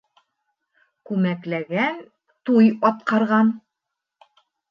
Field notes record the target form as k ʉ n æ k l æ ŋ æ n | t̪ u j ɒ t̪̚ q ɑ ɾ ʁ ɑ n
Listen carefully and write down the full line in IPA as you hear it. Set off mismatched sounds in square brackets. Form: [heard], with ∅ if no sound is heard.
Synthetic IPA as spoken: k ʉ [m] æ k l æ [ɡ] æ n | t̪ u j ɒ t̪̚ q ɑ ɾ ʁ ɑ n